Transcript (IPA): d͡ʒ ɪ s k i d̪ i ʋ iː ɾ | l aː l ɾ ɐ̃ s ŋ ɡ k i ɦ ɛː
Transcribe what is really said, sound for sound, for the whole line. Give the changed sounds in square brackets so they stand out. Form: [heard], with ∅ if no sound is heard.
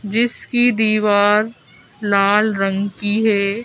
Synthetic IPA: d͡ʒ ɪ s k i d̪ [iː] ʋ [aː] ɾ | l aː l ɾ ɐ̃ [∅] ŋ ɡ k i ɦ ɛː